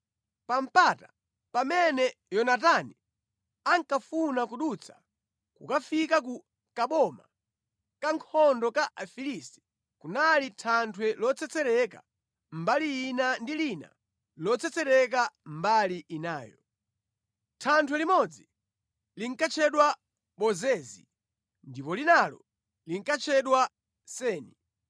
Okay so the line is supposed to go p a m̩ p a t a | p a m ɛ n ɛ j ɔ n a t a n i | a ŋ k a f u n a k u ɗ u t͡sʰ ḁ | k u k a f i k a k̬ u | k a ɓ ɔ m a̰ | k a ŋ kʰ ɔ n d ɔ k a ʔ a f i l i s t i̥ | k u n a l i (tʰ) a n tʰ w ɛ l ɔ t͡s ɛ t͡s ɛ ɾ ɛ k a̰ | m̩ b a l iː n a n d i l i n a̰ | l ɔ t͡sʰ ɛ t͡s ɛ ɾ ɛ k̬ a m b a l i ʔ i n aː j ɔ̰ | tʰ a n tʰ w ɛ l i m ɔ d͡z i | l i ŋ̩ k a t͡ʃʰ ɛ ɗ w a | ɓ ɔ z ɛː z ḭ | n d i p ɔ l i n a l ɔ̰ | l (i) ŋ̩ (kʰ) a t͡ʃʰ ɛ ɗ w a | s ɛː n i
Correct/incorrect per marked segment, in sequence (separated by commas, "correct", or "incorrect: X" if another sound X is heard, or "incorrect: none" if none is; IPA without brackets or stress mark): correct, correct, incorrect: k